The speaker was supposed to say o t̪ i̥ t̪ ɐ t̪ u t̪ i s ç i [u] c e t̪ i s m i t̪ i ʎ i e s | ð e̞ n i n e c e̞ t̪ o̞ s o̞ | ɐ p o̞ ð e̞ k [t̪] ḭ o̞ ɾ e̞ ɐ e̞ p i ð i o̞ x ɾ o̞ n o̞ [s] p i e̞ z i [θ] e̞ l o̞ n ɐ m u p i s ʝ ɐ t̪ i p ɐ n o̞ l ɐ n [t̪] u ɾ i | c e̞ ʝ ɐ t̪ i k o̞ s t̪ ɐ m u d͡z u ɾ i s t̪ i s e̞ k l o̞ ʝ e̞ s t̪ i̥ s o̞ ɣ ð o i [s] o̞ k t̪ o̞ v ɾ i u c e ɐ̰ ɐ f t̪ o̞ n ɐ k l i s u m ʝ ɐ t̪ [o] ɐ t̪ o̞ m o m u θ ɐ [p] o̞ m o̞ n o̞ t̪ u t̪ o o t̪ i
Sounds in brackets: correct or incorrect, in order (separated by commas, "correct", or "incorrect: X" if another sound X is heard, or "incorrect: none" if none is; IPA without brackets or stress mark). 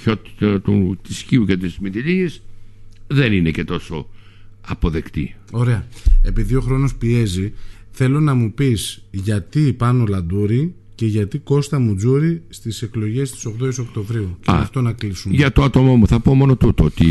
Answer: correct, correct, correct, correct, incorrect: d̪, correct, correct, correct